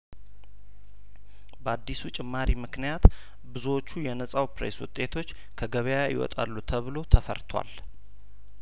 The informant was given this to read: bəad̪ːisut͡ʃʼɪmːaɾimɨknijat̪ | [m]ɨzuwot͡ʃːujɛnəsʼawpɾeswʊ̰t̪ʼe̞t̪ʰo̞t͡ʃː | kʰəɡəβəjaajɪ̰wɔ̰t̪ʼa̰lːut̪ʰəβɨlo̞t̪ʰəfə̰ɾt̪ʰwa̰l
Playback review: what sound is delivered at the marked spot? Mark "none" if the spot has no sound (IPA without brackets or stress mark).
b